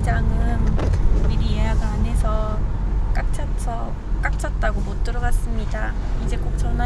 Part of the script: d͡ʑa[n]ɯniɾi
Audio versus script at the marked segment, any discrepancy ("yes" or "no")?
yes